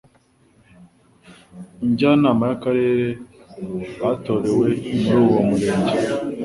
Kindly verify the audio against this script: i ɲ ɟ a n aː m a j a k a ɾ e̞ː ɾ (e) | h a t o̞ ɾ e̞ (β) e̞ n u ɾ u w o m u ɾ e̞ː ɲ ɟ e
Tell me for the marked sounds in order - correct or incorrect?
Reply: correct, incorrect: w

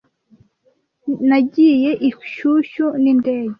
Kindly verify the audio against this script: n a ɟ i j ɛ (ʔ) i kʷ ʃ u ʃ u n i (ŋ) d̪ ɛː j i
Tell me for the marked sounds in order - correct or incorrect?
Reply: correct, incorrect: n

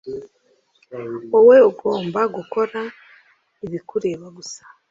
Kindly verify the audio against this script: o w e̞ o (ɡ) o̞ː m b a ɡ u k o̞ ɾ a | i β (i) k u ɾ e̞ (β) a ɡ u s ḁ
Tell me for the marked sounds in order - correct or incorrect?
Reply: correct, correct, correct

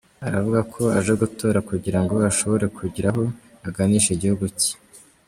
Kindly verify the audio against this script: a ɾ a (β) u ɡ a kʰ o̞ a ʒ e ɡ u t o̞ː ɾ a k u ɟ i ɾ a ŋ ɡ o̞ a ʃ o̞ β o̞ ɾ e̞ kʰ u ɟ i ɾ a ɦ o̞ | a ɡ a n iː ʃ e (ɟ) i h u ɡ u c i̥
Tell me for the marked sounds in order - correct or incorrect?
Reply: incorrect: v, correct

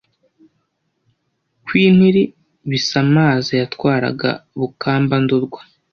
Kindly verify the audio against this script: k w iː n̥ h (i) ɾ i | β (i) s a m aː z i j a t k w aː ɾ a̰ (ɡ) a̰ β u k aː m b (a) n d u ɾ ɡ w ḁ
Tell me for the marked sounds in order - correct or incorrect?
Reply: correct, correct, correct, correct

